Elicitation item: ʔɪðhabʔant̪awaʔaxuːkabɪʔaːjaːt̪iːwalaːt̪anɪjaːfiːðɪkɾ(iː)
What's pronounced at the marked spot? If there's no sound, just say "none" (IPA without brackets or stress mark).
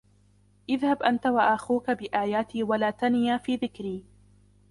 iː